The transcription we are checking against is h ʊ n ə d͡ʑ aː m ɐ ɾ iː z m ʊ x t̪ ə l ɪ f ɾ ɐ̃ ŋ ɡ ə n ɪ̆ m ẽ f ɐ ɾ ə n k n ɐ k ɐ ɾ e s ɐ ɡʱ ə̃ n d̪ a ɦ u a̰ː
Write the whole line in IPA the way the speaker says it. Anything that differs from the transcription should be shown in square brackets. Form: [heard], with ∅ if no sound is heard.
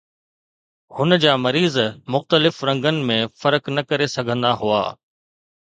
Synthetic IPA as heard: h ʊ n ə d͡ʑ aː m ɐ ɾ iː z m ʊ x t̪ ə l ɪ f ɾ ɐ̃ ŋ ɡ ə n ɪ̆ m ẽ f ɐ ɾ ə [∅] k n ɐ k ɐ ɾ e s ɐ ɡʱ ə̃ n d̪ a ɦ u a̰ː